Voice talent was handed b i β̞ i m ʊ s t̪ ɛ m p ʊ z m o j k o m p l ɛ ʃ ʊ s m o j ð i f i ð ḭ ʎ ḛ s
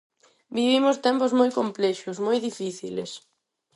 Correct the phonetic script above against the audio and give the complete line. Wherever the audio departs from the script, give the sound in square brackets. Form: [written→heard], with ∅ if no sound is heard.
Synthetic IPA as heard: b i β̞ i m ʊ s t̪ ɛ m p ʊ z m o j k o m p l ɛ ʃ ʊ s m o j ð i f i [ð→θ] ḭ [ʎ→l] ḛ s